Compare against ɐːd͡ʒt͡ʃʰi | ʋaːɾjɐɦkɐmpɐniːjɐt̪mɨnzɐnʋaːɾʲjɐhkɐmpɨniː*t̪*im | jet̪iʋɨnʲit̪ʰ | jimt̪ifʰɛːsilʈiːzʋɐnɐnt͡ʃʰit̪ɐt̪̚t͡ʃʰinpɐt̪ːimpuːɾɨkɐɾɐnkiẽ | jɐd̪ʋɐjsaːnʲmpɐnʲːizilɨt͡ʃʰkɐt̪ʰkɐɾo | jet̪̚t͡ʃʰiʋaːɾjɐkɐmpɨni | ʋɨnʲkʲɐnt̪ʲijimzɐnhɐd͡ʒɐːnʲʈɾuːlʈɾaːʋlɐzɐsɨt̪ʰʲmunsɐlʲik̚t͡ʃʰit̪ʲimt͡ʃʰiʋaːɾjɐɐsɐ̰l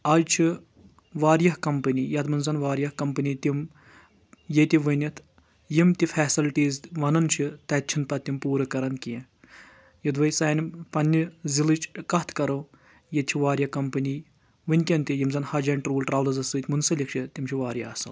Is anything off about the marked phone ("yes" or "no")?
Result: no